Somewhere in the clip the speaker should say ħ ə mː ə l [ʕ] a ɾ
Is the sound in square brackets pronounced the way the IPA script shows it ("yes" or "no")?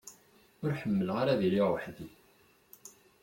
no